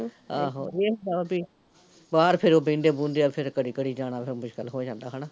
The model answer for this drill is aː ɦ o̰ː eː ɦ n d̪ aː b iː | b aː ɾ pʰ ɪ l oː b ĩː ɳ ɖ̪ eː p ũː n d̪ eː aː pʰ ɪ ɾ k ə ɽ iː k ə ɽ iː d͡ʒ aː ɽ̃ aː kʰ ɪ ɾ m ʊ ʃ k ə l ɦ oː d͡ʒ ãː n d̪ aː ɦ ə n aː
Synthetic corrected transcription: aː ɦ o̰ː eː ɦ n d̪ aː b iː | b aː ɾ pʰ ɪ ɾ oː b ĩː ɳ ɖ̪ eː b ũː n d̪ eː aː pʰ ɪ ɾ k ə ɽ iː k ə ɽ iː d͡ʒ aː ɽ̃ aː pʰ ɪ ɾ m ʊ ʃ k ə l ɦ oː d͡ʒ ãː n d̪ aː ɦ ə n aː